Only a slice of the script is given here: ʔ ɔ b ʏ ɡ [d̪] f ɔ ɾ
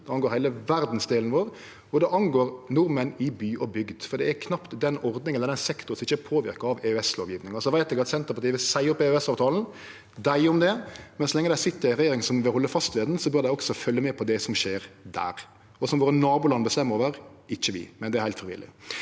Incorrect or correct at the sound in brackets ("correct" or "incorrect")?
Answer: correct